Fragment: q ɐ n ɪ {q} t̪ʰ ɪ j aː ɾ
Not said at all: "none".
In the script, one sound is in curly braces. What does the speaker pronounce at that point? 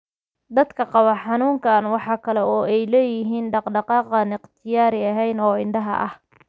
q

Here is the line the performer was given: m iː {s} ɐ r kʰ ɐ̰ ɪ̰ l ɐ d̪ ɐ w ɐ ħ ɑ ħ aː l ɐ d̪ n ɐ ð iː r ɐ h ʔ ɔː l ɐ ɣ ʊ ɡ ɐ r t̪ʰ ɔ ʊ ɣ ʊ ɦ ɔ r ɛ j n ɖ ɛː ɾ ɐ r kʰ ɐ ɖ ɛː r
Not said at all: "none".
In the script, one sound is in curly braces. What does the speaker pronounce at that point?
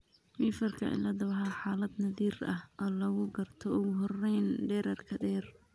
f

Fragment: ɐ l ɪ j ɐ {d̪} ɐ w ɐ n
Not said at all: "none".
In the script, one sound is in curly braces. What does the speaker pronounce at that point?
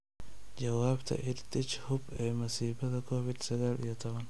t̪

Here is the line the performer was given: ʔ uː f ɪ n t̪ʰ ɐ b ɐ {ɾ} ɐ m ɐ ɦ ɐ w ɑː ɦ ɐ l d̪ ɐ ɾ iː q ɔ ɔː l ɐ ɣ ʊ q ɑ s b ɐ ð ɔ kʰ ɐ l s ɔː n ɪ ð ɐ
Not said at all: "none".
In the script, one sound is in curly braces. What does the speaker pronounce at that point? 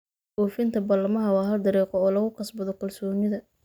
l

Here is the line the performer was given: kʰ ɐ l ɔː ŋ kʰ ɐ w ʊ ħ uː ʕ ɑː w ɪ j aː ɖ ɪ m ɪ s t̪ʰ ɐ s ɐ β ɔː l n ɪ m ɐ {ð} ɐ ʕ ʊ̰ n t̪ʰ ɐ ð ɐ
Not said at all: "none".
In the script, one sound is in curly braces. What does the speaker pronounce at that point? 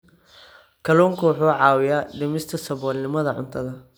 ð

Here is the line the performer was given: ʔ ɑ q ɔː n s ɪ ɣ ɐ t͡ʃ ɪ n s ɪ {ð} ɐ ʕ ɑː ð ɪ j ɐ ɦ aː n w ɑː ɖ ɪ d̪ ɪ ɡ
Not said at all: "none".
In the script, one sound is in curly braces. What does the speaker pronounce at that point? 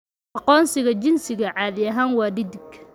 ɣ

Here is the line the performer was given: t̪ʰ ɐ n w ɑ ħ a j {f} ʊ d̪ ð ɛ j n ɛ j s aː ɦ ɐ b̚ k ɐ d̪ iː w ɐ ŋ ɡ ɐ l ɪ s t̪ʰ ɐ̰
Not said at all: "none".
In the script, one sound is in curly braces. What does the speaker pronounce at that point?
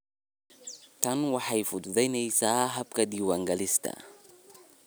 f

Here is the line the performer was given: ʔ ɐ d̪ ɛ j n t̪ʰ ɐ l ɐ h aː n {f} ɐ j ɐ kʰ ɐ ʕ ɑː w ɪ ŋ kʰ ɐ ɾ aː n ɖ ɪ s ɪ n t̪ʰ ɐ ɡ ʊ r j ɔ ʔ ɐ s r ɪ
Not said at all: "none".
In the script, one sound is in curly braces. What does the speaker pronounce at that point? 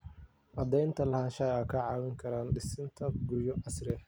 ʃ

